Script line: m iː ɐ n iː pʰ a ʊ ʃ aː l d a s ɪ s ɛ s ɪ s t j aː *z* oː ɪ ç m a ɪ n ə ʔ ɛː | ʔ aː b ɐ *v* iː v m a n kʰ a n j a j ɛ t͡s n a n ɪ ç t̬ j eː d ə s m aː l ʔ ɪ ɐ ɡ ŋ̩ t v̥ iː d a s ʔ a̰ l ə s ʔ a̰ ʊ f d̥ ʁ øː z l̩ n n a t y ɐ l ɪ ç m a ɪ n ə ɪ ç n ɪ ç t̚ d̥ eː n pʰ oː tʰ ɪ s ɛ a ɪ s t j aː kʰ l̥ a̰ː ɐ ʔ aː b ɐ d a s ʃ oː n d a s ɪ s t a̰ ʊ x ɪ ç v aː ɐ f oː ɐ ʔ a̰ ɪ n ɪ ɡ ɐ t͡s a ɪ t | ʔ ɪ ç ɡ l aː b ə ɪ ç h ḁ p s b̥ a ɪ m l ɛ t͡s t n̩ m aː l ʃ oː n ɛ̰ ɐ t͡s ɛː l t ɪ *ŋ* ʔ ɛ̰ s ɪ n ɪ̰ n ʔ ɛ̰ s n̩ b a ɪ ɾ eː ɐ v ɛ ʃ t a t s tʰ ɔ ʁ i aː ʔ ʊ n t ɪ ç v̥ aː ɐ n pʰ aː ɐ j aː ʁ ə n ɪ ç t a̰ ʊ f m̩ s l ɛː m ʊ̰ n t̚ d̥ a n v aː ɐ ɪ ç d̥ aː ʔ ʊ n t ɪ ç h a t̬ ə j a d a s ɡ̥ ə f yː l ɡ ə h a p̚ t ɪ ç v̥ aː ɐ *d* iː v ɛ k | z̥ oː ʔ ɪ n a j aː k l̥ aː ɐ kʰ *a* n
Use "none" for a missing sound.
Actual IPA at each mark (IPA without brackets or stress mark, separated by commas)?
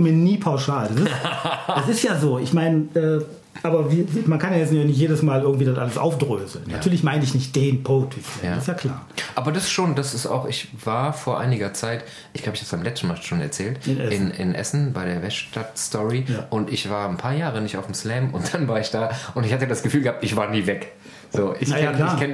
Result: z, v, n, n, ɛ